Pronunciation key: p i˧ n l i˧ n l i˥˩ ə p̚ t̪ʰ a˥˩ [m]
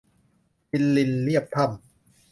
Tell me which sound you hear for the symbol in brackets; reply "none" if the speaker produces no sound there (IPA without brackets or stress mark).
m